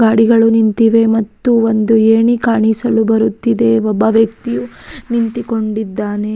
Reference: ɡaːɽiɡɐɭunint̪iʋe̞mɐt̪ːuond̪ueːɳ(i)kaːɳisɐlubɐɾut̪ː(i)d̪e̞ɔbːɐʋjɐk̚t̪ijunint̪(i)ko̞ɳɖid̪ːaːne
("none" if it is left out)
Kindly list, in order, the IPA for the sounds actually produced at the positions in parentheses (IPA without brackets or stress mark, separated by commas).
i, i, i